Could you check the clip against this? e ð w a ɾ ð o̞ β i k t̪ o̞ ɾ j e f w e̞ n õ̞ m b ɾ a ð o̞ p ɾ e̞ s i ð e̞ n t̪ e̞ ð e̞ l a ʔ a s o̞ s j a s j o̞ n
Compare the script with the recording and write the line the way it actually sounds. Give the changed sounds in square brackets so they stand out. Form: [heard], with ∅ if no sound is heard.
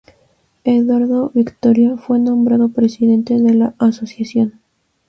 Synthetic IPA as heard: e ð w a ɾ ð o̞ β i k t̪ o̞ ɾ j [a] f w e̞ n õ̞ m b ɾ a ð o̞ p ɾ e̞ s i ð e̞ n t̪ e̞ ð e̞ l a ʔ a s o̞ s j a s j o̞ n

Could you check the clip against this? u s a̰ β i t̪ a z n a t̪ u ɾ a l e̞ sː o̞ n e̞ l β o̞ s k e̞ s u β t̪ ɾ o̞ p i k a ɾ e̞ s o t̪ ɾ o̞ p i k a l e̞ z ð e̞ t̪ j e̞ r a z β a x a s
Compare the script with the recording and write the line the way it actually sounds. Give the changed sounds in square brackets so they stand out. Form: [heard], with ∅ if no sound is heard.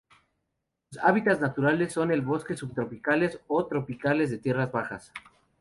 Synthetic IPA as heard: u s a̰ β i t̪ a z n a t̪ u ɾ a l e̞ sː o̞ n e̞ l β o̞ s k e̞ s u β t̪ ɾ o̞ p i k a [l] e̞ s o t̪ ɾ o̞ p i k a l e̞ z ð e̞ t̪ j e̞ r a z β a x a s

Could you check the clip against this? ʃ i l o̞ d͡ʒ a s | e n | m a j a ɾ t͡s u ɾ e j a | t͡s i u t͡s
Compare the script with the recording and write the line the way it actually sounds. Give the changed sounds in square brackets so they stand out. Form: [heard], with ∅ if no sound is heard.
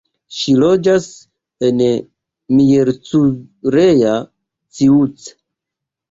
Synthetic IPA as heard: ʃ i l o̞ d͡ʒ a s | e n | m [i] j [e] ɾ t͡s u ɾ e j a | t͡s i u t͡s

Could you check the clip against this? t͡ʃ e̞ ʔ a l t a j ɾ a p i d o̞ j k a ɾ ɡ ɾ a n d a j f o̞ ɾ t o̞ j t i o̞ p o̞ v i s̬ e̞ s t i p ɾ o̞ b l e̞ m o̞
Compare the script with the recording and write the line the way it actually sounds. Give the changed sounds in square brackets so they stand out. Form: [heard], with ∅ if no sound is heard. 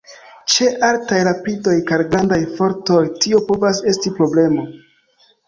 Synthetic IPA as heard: t͡ʃ e̞ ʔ a l t a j ɾ a p i d o̞ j k a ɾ ɡ ɾ a n d a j f o̞ ɾ t o̞ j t i o̞ p o̞ v [a] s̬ e̞ s t i p ɾ o̞ b l e̞ m o̞

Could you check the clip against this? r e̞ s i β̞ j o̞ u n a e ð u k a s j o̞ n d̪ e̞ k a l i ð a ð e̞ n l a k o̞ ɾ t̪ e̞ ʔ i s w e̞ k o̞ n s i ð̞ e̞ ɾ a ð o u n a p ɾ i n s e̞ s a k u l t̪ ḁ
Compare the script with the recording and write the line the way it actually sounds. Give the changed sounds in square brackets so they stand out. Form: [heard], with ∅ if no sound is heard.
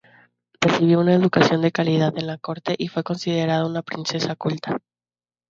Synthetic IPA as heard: r e̞ s i β̞ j o̞ u n a e ð u k a s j o̞ n d̪ e̞ k a l i ð a ð e̞ n l a k o̞ ɾ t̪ e̞ ʔ i [f] w e̞ k o̞ n s i ð̞ e̞ ɾ a ð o u n a p ɾ i n s e̞ s a k u l t̪ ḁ

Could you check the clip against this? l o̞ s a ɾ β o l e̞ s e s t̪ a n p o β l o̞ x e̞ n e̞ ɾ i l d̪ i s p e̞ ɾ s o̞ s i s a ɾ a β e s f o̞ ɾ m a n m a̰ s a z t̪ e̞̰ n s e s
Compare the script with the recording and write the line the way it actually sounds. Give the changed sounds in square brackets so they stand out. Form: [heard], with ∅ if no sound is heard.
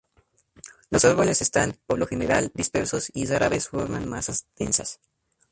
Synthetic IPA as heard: l o̞ s a ɾ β o l e̞ s e s t̪ a n p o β l o̞ x e̞ n e̞ ɾ [a] l d̪ i s p e̞ ɾ s o̞ s i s a ɾ a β e s f o̞ ɾ m a n m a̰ s a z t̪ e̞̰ n s [a] s

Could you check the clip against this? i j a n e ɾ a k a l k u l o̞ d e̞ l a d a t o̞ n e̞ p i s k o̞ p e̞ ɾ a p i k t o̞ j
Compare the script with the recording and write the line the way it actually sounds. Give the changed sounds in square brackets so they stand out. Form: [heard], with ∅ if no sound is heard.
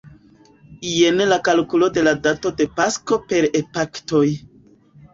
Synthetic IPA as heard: i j [e] n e [l] a k a l k u l o̞ d e̞ l a d a t o̞ [d] e̞ p [a] s k o̞ p e̞ ɾ [e] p [a] k t o̞ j

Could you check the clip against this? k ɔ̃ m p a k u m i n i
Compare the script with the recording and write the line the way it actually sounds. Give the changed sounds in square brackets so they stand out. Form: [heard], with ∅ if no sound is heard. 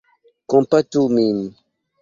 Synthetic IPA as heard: k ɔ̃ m p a [t] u m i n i

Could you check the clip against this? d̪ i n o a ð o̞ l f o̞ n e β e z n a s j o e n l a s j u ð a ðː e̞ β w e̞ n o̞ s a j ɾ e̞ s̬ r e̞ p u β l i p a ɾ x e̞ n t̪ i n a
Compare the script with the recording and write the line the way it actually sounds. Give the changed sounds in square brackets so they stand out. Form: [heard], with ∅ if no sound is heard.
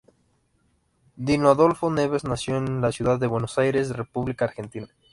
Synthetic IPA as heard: d̪ i n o a ð o̞ l f o̞ n e β e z n a s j o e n l a s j u ð a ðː e̞ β w e̞ n o̞ s a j ɾ e̞ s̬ r e̞ p u β l i [k] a ɾ x e̞ n t̪ i n a

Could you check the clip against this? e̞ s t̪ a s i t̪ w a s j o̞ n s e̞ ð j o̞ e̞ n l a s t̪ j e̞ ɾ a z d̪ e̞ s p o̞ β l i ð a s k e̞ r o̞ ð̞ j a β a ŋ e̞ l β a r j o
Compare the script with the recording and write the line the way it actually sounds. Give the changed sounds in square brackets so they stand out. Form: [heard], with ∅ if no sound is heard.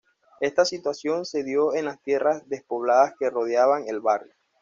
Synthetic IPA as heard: e̞ s t̪ a s i t̪ w a s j o̞ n s e̞ ð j o̞ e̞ n l a s t̪ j e̞ [r] a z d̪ e̞ s p o̞ β l [a] ð a s k e̞ r o̞ ð̞ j a β a ŋ e̞ l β a r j o

